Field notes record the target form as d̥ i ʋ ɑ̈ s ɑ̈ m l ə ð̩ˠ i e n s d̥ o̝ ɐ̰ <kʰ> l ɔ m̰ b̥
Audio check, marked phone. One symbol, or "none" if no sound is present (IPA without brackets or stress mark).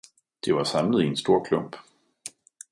kʰ